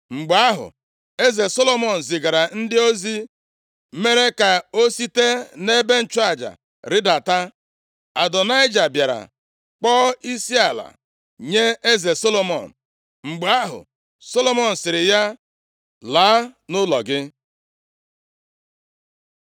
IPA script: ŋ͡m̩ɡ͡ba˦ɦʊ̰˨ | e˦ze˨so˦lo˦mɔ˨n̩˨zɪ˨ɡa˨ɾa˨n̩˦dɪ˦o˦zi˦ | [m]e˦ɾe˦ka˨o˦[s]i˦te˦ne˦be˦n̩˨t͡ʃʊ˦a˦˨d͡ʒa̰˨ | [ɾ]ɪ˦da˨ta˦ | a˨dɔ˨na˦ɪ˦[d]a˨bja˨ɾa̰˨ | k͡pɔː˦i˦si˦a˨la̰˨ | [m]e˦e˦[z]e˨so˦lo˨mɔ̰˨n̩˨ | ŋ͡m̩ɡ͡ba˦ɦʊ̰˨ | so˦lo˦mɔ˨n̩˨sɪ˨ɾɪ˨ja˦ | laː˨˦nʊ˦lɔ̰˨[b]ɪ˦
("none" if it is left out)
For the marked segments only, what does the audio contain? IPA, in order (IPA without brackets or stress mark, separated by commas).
m, s, ɾ, d͡ʒ, ɲ, z, ɡ